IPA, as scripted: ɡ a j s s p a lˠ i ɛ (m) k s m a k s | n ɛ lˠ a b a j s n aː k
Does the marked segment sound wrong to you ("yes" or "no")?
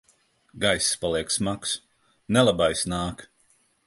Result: yes